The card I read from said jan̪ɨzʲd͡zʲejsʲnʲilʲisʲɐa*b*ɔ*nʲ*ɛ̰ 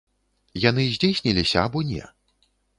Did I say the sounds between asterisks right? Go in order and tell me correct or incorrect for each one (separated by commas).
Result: correct, correct